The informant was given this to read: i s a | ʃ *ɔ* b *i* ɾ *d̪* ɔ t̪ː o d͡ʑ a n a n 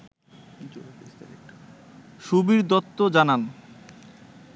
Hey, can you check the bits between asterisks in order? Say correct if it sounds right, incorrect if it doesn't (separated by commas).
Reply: incorrect, correct, correct